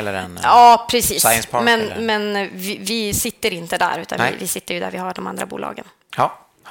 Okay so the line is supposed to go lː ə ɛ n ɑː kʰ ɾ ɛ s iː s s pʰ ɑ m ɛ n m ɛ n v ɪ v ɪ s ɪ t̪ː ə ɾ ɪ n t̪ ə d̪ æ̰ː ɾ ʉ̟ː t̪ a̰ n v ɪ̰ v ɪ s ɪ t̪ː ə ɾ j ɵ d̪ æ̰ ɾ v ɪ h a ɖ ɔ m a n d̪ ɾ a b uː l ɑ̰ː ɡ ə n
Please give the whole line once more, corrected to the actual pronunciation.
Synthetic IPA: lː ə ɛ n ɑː pʰ ɾ ɛ s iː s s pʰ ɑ m ɛ n m ɛ n v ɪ v ɪ s ɪ t̪ː ə ɾ ɪ n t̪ ə d̪ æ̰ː ɾ ʉ̟ː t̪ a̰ n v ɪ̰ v ɪ s ɪ t̪ː ə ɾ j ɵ d̪ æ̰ ɾ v ɪ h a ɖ ɔ m a n d̪ ɾ a b uː l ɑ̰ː ɡ ə n